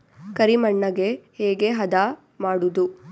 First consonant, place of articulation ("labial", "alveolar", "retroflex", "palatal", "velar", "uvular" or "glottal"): velar